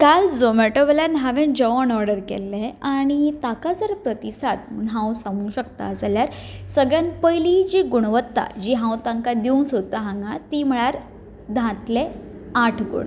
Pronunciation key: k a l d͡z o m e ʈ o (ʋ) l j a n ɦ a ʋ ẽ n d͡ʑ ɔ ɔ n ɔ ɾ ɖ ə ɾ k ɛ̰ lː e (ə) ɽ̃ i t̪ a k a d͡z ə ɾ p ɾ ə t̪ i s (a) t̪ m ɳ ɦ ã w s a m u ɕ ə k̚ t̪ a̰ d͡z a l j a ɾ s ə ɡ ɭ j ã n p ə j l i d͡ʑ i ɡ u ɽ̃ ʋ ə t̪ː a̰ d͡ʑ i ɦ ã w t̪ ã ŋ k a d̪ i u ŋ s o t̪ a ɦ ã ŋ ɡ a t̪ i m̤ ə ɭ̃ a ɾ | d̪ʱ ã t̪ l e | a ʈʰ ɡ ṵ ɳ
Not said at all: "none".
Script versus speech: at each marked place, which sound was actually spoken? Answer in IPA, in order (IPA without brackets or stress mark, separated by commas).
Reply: ʋ, a, a